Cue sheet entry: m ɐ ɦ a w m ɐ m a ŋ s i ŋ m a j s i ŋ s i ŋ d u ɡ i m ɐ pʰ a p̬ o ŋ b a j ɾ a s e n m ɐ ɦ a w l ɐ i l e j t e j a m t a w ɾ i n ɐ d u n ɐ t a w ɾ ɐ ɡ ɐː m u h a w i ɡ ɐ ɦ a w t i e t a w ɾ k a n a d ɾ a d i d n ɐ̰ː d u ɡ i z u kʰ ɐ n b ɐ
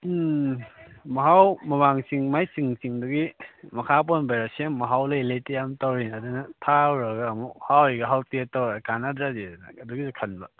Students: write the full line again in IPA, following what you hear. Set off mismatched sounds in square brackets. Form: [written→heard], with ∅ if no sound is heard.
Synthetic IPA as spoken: m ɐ ɦ a w m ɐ m a ŋ s i ŋ m a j s i ŋ s i ŋ d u ɡ i m ɐ [pʰ→kʰ] a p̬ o [ŋ→n] b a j ɾ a s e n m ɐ ɦ a w l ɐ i l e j t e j a m t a w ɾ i n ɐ d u n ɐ [t→tʰ] a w ɾ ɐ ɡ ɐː m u h a w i ɡ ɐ ɦ a w t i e t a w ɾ k a n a d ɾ a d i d n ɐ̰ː d u ɡ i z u kʰ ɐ n b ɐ